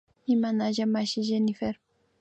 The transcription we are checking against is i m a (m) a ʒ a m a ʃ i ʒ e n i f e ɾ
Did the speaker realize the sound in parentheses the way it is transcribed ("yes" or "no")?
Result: no